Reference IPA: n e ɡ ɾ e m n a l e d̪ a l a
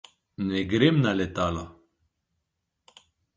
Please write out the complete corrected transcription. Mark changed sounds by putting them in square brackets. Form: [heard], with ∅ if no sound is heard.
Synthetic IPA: n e ɡ ɾ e m n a l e [t̪] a l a